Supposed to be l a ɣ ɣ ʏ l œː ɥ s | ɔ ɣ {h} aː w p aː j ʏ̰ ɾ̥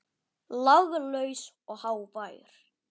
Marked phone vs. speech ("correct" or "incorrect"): correct